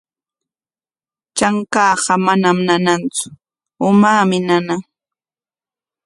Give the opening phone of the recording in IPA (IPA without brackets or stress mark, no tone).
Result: t͡ʃ